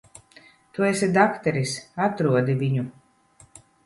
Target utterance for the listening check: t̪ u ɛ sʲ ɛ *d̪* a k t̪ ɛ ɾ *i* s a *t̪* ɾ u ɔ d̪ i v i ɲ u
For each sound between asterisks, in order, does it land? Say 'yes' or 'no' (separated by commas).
yes, yes, yes